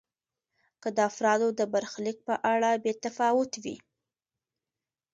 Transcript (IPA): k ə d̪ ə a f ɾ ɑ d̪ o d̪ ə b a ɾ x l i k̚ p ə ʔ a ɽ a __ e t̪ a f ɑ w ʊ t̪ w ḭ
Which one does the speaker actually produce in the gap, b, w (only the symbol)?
b